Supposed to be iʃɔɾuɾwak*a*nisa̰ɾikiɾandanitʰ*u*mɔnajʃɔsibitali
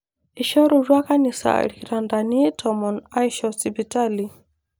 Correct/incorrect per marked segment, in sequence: correct, incorrect

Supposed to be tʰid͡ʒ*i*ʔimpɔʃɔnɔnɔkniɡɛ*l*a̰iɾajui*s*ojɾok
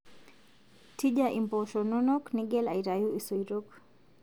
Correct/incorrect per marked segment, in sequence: incorrect, correct, correct

